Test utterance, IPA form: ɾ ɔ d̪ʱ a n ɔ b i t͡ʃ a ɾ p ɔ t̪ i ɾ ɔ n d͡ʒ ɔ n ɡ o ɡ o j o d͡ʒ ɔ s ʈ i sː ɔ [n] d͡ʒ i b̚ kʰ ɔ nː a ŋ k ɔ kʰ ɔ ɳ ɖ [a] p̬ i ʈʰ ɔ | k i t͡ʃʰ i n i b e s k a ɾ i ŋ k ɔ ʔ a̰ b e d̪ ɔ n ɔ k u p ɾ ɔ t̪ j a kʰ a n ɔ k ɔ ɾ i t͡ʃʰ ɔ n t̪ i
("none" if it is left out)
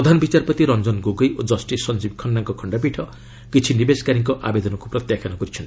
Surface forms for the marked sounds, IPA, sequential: n, a

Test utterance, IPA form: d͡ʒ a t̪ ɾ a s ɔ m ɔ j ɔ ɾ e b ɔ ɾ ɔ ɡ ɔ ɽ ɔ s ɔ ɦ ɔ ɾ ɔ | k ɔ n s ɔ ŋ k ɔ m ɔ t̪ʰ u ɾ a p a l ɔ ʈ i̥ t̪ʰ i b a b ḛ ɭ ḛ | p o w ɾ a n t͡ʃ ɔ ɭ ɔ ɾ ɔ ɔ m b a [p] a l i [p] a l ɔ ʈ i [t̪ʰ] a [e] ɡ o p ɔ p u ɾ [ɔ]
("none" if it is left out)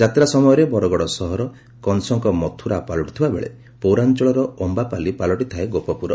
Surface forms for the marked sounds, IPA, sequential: p, p, t̪ʰ, e, ɔ

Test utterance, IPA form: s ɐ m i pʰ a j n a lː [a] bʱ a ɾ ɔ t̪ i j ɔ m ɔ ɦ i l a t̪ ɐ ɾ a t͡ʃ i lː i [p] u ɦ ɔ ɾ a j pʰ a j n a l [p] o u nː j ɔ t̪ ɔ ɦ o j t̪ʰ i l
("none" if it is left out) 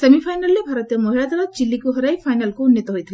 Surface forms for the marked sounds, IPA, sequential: e, k, k

